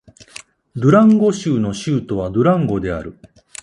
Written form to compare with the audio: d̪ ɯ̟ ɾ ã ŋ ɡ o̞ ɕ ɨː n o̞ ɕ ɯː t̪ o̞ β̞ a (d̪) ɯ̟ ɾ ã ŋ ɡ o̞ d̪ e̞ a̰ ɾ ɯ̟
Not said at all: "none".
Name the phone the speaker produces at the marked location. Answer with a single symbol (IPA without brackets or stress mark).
d̪